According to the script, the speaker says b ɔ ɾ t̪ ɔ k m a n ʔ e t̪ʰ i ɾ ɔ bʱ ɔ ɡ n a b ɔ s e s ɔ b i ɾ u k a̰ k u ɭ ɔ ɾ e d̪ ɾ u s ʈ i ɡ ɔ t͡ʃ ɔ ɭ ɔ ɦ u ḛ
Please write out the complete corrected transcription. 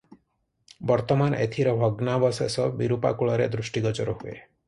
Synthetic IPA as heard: b ɔ ɾ t̪ ɔ m a n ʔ e t̪ʰ i ɾ ɔ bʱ ɔ ɡ n a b ɔ s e s ɔ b i ɾ u p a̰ k u ɭ ɔ ɾ e d̪ ɾ u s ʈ i ɡ ɔ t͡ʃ ɔ ɾ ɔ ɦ u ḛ